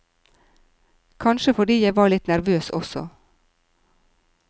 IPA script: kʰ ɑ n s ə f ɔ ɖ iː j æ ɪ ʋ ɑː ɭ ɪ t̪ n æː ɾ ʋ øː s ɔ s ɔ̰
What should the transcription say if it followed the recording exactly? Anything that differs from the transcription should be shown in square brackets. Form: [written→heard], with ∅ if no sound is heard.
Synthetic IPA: kʰ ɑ n [s→ʃ] ə f ɔ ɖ iː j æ ɪ ʋ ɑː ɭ ɪ t̪ n [æː→æ] ɾ ʋ øː s ɔ s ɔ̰